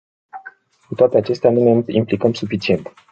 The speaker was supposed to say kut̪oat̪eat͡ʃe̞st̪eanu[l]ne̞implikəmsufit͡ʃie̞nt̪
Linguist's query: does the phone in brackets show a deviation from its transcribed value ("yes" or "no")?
yes